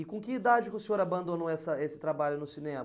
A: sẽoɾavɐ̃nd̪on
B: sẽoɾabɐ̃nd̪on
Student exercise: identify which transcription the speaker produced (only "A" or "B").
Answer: B